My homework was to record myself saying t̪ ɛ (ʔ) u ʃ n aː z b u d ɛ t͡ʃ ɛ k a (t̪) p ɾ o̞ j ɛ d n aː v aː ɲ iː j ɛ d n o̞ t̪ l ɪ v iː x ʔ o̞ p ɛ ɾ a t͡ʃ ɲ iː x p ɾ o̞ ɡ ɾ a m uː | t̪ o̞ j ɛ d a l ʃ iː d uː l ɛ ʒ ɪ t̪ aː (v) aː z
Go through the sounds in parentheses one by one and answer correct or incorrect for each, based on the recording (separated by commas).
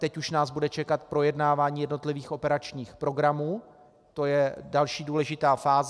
incorrect, correct, incorrect